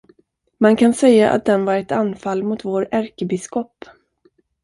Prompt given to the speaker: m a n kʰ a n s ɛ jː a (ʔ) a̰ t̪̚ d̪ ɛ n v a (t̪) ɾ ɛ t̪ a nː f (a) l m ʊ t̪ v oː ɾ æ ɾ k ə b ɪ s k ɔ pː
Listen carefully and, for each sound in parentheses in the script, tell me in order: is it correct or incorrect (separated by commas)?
correct, incorrect, correct